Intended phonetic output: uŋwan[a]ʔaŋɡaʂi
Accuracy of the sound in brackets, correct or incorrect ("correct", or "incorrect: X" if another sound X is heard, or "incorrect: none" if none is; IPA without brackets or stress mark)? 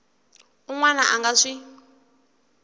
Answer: correct